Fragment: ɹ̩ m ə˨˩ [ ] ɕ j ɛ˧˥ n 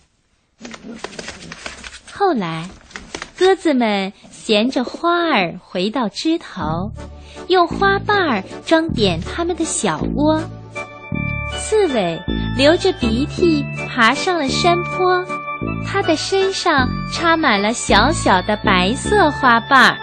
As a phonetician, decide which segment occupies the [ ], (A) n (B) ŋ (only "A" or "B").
A